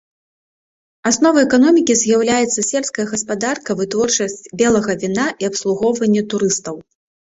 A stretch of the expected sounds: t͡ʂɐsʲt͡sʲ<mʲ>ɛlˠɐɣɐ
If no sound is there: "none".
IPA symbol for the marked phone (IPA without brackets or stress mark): bʲ